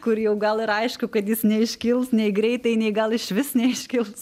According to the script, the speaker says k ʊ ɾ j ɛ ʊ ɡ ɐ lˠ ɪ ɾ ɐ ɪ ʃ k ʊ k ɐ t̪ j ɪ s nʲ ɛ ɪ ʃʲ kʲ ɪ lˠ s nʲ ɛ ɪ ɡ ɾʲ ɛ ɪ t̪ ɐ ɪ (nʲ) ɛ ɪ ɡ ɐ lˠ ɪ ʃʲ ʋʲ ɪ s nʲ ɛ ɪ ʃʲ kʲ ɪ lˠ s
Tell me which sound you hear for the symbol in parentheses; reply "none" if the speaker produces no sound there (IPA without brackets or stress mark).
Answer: nʲ